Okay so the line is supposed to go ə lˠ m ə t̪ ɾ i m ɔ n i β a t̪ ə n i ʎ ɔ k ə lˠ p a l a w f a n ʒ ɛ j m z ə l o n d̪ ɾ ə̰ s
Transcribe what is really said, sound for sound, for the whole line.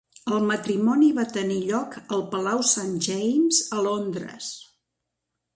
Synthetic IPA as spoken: ə lˠ m ə t̪ ɾ i m ɔ n i β a t̪ ə n i ʎ ɔ k ə lˠ p ə l a w s a n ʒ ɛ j m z ə l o n d̪ ɾ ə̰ s